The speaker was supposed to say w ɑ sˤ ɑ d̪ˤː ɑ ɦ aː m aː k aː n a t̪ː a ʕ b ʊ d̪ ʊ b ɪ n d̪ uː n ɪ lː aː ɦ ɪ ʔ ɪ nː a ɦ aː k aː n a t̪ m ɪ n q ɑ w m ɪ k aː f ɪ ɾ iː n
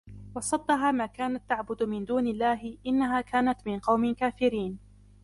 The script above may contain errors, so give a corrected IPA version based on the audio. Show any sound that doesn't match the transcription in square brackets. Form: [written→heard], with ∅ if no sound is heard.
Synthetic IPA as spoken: w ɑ sˤ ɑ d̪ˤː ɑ ɦ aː m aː k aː n a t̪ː a ʕ b ʊ d̪ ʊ [b→m] ɪ n d̪ uː n ɪ lː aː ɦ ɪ ʔ ɪ nː a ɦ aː k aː n a t̪ m ɪ n q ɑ w m ɪ k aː f ɪ ɾ iː n

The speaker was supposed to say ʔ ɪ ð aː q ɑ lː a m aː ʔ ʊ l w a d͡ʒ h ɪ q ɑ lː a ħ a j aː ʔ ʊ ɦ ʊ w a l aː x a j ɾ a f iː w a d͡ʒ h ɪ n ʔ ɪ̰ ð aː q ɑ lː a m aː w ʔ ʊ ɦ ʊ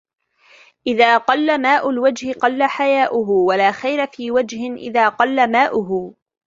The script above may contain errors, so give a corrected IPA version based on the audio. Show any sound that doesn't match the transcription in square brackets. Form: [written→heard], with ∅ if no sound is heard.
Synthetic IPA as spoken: ʔ ɪ ð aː q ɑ lː a m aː ʔ ʊ l w a d͡ʒ h ɪ q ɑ lː a ħ a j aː ʔ ʊ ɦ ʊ w a l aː x a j ɾ a f iː w a d͡ʒ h ɪ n ʔ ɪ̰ ð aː q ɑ lː a m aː [w→∅] ʔ ʊ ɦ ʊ

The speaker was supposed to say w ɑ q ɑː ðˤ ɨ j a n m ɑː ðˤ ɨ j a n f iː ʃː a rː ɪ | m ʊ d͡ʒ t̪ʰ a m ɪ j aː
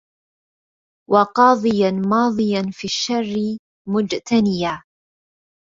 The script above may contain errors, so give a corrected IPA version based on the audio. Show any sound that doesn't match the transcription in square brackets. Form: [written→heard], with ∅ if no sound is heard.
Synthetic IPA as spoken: w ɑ q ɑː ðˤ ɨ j a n m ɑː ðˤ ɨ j a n f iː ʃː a rː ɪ | m ʊ d͡ʒ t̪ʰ a [m→n] ɪ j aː

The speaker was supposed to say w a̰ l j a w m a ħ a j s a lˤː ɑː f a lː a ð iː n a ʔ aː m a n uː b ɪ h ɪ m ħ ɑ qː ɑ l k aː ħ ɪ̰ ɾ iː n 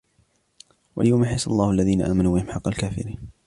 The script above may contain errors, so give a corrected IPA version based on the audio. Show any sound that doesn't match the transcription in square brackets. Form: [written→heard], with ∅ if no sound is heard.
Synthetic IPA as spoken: w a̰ l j a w m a ħ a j s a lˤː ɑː [f→h] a lː a ð iː n a ʔ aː m a n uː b ɪ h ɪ m ħ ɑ qː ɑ l k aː [ħ→f] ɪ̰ ɾ iː n

